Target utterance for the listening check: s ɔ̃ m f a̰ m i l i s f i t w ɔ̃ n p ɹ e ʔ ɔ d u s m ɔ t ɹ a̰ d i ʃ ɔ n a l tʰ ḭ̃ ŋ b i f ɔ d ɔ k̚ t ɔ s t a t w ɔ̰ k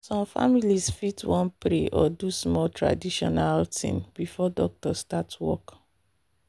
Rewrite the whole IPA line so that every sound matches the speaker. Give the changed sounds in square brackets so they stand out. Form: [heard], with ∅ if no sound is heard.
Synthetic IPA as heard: s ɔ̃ m f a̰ m i l i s f i t w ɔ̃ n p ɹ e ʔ ɔ d u s m ɔ t ɹ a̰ d i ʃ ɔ n a l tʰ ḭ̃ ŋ b i f ɔ d ɔ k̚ t ɔ s t a t w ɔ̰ k